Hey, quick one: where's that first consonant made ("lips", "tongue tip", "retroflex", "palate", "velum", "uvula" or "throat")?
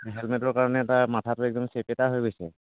throat